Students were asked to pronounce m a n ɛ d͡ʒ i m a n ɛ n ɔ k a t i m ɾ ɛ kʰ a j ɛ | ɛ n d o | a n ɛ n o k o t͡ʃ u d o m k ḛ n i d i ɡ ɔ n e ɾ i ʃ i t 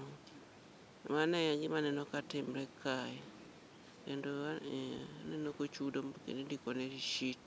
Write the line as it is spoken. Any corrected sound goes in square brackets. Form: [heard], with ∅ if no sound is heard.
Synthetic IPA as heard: m a n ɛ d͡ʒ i m a n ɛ n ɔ k a t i m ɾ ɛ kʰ a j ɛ | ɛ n d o | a n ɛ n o k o t͡ʃ u d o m k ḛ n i d i [k] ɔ n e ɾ i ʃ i t